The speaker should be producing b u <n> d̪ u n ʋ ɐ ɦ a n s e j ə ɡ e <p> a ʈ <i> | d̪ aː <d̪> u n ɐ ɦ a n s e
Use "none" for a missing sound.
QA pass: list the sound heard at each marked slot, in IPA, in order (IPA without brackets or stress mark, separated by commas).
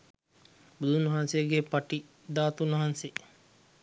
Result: none, p, i, t̪